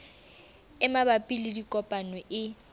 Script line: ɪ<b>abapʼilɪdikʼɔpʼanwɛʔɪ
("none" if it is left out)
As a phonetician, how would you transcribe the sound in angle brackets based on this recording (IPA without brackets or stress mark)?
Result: m